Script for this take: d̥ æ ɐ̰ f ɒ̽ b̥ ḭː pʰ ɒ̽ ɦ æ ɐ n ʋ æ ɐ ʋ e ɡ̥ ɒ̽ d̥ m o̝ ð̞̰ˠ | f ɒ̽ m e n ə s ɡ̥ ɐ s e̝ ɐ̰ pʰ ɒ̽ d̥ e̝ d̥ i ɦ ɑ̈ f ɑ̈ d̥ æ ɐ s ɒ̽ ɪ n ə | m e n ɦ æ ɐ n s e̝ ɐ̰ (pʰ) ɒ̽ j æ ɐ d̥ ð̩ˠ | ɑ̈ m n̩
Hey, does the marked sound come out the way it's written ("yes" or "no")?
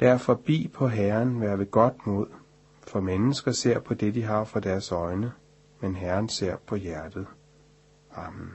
yes